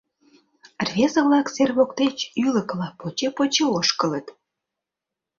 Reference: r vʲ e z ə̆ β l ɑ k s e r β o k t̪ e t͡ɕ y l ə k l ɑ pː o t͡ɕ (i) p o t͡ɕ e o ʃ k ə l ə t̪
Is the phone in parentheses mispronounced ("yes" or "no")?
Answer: yes